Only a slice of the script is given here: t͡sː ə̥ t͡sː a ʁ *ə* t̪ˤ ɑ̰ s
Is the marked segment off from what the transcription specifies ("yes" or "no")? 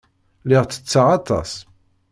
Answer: yes